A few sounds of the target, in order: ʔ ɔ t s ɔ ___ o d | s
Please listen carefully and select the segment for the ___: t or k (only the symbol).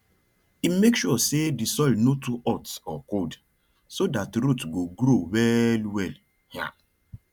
k